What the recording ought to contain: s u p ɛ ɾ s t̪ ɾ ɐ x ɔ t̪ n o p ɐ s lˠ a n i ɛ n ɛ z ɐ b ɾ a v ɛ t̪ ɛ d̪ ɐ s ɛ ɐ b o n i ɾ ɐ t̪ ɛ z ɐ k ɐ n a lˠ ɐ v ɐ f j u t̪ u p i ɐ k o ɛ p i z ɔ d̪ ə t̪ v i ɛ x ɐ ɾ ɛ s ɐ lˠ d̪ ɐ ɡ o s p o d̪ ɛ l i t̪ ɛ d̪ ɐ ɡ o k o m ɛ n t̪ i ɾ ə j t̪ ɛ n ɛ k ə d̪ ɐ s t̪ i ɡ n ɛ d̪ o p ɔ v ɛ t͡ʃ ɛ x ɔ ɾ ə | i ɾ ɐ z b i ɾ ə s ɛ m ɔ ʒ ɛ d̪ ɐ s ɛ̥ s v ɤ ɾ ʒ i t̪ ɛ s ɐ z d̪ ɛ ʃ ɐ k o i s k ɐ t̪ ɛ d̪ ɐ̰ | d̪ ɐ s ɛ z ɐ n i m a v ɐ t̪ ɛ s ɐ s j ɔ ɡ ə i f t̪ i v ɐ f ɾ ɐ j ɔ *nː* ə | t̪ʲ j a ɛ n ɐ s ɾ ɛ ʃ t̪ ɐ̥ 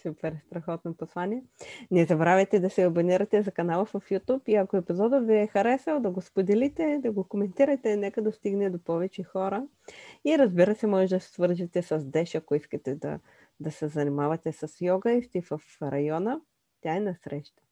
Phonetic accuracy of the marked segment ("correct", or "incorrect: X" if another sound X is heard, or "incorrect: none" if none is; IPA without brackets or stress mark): incorrect: n